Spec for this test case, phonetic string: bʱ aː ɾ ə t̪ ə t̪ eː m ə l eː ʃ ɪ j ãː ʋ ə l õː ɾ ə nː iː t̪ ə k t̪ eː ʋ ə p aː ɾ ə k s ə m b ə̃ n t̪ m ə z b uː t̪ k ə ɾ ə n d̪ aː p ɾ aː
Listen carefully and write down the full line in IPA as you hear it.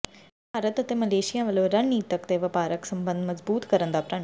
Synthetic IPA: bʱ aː ɾ ə t̪ ə t̪ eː m ə l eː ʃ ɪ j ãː ʋ ə l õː ɾ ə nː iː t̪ ə k t̪ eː ʋ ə p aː ɾ ə k s ə m b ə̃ n d̪ m ə z b uː t̪ k ə ɾ ə n d̪ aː p ɾ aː